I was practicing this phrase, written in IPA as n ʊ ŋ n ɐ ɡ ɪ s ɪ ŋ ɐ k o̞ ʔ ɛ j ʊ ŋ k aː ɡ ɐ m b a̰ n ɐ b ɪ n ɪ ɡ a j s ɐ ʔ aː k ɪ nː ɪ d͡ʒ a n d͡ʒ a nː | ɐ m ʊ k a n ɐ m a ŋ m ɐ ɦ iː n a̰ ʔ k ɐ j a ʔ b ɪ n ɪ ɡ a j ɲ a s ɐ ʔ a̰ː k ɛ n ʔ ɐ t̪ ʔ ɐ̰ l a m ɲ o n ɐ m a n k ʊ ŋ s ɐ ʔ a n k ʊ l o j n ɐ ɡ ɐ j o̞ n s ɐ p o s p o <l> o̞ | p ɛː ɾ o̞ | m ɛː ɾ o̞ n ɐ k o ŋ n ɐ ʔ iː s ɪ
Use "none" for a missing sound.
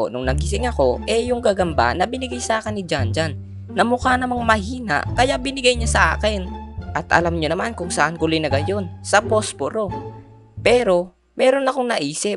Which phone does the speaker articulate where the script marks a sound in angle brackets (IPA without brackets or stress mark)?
ɾ